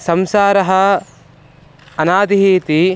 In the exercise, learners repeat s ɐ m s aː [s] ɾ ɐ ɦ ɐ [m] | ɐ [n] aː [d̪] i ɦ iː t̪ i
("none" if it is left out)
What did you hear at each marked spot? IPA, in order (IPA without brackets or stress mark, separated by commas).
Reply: none, none, n, d̪